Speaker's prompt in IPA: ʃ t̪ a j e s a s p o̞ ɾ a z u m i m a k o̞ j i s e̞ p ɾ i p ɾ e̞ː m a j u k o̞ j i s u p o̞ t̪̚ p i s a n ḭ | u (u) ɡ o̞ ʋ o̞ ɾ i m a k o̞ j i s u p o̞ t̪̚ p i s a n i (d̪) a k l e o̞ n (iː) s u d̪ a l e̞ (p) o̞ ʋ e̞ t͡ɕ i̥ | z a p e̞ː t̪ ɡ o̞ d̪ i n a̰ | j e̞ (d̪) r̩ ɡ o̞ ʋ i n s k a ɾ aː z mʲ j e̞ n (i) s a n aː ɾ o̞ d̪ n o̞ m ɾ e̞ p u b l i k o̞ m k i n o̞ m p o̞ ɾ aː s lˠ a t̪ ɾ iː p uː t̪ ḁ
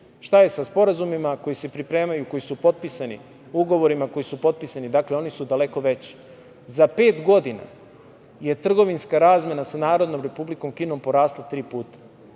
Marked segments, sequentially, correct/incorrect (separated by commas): correct, correct, incorrect, incorrect, incorrect, incorrect